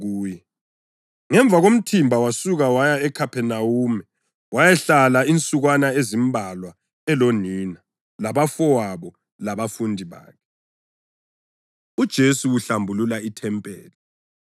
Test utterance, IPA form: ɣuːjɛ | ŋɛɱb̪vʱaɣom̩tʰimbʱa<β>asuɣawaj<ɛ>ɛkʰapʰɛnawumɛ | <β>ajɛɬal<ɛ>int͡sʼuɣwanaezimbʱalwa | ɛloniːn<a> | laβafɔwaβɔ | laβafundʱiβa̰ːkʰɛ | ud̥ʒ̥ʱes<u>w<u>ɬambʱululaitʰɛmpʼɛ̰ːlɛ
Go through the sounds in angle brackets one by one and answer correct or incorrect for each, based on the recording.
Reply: incorrect, incorrect, incorrect, incorrect, correct, correct, correct

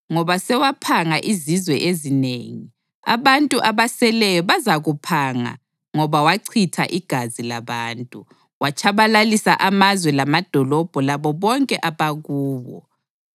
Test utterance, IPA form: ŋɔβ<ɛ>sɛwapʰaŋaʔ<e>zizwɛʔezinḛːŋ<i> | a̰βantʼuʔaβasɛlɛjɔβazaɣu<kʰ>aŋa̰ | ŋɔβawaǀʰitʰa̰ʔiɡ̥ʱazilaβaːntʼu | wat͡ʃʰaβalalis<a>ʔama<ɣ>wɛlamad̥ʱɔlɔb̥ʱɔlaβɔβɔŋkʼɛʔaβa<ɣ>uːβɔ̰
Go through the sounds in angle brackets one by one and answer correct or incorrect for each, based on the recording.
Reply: incorrect, incorrect, correct, incorrect, correct, incorrect, correct

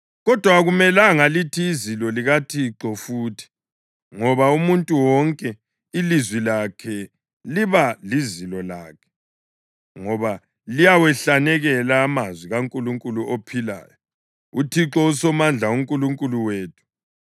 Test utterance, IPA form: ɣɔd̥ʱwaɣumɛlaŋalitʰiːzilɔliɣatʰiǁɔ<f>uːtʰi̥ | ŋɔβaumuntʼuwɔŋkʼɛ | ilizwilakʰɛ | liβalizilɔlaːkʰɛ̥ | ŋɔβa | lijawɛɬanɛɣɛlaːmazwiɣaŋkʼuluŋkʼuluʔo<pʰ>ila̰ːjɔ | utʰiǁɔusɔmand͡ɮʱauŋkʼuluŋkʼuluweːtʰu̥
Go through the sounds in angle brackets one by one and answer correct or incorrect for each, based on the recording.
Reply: correct, correct

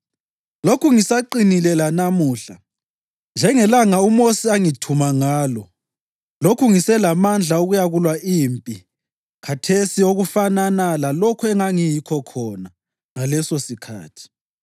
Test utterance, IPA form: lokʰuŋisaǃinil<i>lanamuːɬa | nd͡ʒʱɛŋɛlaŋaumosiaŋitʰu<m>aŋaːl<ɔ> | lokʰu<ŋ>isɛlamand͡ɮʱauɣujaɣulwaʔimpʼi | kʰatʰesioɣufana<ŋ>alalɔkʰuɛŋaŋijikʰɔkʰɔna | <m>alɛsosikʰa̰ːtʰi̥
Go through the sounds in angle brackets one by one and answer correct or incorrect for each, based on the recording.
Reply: incorrect, correct, correct, correct, incorrect, incorrect

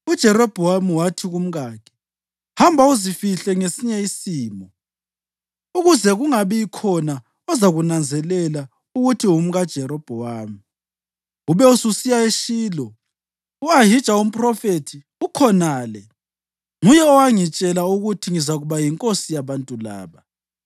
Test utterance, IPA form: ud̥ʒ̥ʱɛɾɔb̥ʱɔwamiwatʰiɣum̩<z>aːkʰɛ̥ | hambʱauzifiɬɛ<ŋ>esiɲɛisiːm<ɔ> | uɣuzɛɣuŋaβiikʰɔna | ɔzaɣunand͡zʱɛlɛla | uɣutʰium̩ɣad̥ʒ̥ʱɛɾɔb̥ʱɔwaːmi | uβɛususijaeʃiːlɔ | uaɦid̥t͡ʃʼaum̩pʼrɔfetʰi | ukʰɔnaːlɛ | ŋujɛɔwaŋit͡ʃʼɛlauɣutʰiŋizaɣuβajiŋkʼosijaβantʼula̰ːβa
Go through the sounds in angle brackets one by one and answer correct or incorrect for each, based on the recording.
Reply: incorrect, correct, correct

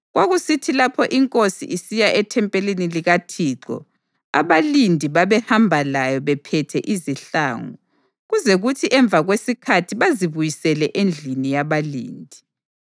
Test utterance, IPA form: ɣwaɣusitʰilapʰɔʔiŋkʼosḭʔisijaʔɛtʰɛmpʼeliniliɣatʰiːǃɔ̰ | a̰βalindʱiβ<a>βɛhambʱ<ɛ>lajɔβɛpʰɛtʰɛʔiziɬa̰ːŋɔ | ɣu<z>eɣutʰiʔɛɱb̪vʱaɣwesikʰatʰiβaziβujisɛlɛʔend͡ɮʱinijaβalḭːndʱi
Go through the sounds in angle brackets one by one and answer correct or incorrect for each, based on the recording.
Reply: correct, incorrect, correct

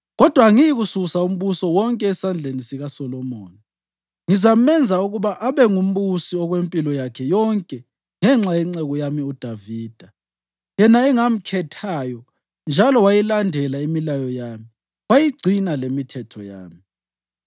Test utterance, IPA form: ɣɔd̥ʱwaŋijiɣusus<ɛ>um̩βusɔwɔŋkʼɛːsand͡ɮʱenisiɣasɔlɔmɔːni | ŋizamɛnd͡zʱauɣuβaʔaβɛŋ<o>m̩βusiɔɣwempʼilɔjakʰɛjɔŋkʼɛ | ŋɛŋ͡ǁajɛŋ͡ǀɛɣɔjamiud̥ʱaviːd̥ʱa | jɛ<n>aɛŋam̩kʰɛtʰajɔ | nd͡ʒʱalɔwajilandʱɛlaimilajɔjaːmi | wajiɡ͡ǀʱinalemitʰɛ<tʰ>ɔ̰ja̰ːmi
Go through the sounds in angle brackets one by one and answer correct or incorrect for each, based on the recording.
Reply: incorrect, incorrect, correct, correct

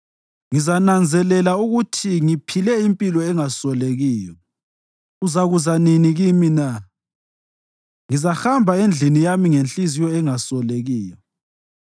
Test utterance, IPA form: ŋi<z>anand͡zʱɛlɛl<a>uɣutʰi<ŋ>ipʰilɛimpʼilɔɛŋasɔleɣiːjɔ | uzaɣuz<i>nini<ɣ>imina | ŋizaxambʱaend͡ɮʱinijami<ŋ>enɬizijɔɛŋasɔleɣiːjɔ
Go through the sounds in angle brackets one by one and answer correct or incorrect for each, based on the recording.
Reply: correct, correct, correct, incorrect, correct, correct

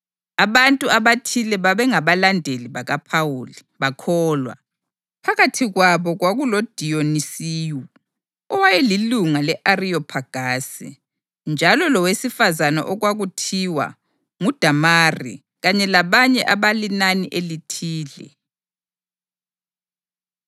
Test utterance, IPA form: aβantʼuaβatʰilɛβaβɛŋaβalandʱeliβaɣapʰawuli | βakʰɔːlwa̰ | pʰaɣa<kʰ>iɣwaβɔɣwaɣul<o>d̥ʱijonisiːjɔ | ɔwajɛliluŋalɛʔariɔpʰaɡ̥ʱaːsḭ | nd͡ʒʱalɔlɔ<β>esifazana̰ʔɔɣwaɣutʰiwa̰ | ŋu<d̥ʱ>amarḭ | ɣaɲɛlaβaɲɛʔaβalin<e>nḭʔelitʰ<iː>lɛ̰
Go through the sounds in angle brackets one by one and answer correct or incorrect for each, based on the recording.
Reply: incorrect, correct, incorrect, correct, incorrect, correct

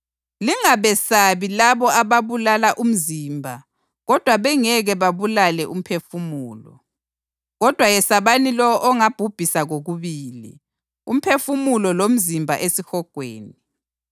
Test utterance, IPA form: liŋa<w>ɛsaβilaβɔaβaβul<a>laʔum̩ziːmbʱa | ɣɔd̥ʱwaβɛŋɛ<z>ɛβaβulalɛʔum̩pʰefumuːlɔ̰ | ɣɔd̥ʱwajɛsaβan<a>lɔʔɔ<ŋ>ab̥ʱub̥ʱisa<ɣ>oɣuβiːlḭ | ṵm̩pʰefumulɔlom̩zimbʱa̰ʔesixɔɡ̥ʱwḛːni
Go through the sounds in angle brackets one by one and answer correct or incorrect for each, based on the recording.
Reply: incorrect, correct, incorrect, incorrect, correct, correct

